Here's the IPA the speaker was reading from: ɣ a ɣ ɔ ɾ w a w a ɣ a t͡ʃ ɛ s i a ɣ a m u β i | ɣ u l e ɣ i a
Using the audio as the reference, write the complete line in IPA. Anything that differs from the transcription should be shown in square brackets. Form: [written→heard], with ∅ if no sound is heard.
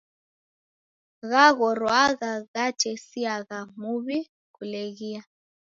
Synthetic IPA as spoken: ɣ a ɣ ɔ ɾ w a [w→ɣ] a ɣ a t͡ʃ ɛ s i a ɣ a m u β i | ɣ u l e ɣ i a

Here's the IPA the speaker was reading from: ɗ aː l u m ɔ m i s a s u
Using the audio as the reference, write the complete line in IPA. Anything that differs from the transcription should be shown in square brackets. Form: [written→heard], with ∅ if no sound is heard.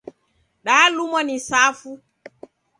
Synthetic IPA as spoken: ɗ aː l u m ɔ [m→n] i s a [s→f] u

